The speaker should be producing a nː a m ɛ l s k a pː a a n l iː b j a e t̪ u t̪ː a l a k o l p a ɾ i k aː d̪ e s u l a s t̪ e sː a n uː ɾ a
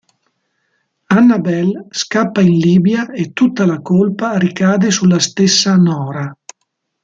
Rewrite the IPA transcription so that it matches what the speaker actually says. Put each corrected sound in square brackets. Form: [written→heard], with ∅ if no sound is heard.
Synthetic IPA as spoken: a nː a [m→b] ɛ l s k a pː a [a→i] n l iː b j a e t̪ u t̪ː a l a k o l p a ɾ i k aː d̪ e s u l a s t̪ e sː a n [uː→ɔː] ɾ a